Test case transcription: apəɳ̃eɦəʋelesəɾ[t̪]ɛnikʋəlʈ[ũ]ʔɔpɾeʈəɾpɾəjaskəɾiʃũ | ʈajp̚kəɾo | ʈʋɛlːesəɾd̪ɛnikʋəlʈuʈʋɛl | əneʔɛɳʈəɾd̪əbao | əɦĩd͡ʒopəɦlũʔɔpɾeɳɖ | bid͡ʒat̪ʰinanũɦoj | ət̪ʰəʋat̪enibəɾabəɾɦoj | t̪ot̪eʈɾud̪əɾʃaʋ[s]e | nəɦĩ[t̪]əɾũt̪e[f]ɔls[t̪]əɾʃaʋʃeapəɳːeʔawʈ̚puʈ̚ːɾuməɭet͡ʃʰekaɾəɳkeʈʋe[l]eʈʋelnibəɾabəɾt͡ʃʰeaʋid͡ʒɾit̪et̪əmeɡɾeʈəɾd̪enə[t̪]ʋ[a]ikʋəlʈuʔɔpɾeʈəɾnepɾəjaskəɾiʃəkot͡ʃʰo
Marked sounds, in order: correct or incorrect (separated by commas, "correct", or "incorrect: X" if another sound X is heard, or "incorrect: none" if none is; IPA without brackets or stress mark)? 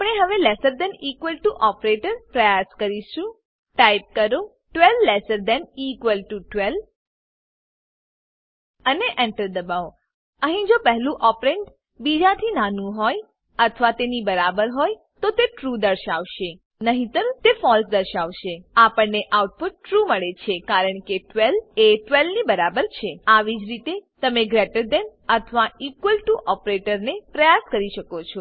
incorrect: d̪, incorrect: u, incorrect: ʃ, correct, correct, incorrect: d̪, correct, incorrect: t̪ʰ, correct